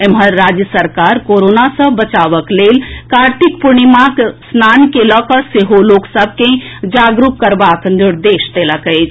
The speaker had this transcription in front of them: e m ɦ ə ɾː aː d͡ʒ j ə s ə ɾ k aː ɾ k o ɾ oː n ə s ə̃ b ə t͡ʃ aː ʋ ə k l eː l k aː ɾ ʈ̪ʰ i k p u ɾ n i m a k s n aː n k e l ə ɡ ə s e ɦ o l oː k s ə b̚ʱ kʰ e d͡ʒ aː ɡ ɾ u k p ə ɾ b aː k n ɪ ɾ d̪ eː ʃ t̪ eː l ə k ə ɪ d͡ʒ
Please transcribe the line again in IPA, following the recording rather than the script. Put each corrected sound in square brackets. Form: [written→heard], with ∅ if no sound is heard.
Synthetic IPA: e m ɦ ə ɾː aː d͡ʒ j ə s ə ɾ k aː ɾ k o ɾ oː n [ə→a] s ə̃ b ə t͡ʃ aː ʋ ə k l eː l k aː ɾ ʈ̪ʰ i k p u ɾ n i m a k s n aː n k e l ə [ɡ→k] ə s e ɦ o l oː k s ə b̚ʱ [kʰ→k] e d͡ʒ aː ɡ ɾ u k [p→k] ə ɾ b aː k n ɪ ɾ d̪ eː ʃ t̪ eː l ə k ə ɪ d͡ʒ